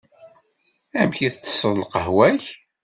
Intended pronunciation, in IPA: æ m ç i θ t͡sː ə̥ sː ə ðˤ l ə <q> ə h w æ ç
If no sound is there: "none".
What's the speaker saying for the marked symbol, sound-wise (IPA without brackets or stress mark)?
q